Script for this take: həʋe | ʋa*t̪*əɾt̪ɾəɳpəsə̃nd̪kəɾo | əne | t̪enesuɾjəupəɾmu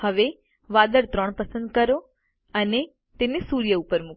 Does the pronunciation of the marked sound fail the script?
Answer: yes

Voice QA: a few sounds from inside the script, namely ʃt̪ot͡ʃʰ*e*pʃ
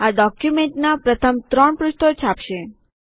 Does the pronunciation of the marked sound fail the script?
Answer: yes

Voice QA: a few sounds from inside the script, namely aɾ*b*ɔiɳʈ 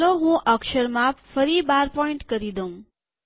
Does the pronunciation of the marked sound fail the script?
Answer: yes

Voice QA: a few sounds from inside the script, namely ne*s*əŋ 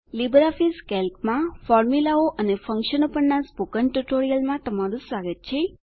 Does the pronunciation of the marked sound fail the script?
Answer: yes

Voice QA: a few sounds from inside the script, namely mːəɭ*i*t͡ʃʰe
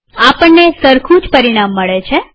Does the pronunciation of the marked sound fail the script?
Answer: yes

